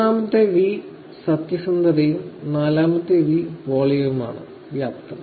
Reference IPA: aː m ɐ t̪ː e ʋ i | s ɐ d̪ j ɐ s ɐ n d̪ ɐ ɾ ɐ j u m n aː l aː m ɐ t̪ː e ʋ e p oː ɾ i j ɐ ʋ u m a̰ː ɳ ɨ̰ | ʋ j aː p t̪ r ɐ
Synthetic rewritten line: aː m ɐ t̪ː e ʋ i | s ɐ t̪ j ɐ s ɐ n d̪ ɐ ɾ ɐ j u m n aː l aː m ɐ t̪ː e ʋ i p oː ɭ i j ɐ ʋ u m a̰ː ɳ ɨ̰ | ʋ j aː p t̪ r ɐ